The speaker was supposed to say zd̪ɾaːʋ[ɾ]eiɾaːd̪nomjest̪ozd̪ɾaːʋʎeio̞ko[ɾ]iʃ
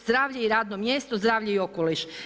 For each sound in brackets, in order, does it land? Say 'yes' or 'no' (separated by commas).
no, no